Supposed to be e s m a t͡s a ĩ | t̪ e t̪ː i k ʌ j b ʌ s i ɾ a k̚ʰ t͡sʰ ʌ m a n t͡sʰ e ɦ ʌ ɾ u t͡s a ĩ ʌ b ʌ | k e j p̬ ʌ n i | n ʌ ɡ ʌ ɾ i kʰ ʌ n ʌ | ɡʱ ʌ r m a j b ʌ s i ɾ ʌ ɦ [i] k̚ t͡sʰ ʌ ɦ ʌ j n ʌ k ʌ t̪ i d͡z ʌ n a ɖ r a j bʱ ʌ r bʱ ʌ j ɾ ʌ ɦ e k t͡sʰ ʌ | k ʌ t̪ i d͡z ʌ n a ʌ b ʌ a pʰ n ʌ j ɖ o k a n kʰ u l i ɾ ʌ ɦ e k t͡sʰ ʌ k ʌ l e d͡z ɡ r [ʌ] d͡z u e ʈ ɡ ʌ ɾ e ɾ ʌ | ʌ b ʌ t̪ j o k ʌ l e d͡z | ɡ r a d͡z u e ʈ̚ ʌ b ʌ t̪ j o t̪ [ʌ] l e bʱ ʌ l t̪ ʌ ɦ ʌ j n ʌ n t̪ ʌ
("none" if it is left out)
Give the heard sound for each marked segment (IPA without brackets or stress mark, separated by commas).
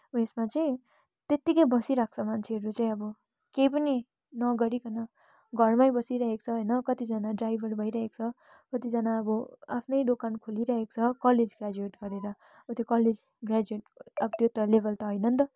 e, a, ʌ